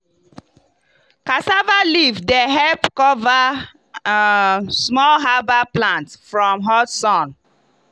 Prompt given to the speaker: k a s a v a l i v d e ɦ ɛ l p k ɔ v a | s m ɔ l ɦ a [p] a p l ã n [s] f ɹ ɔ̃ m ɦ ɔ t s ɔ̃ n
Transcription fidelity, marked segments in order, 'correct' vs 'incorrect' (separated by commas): incorrect, incorrect